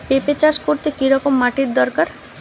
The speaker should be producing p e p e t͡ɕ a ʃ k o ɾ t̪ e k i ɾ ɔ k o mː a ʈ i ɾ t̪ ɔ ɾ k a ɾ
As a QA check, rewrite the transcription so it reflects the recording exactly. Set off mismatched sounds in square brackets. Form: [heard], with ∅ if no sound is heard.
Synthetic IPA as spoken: p e p e t͡ɕ a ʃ k o ɾ t̪ e k i ɾ ɔ k o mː a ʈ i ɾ [d̪] ɔ ɾ k a ɾ